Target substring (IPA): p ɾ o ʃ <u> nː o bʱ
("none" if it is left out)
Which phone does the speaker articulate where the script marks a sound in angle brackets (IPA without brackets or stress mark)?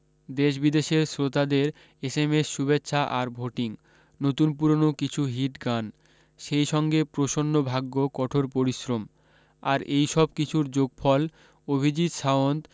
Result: o